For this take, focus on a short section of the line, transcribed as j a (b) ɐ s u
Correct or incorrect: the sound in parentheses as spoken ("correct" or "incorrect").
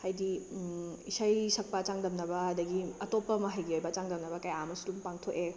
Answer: incorrect